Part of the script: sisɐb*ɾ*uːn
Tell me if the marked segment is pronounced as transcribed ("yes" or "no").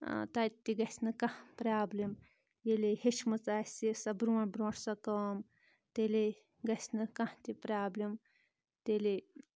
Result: yes